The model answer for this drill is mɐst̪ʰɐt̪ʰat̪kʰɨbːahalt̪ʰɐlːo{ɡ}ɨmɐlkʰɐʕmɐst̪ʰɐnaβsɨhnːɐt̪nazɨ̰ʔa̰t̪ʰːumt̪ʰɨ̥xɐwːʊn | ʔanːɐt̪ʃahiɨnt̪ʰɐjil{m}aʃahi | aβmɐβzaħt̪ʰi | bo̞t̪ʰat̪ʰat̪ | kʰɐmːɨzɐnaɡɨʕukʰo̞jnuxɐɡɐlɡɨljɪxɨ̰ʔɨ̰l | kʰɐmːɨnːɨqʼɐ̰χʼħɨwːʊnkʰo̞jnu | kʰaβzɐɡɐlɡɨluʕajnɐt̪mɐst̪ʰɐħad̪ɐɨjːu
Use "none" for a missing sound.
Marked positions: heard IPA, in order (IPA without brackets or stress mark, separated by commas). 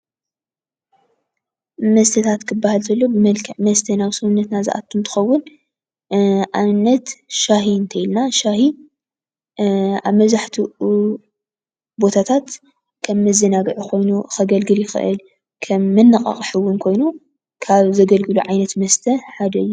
b, n